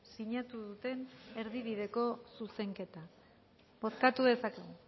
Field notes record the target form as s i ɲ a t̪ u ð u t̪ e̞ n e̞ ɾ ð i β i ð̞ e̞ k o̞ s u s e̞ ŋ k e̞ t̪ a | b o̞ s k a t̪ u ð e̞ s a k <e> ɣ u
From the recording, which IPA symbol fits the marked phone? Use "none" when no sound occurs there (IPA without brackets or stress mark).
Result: e